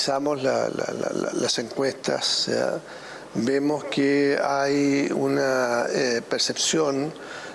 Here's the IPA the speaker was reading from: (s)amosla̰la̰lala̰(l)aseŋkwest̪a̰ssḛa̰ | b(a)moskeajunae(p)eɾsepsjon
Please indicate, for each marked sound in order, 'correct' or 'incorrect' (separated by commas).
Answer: correct, correct, incorrect, correct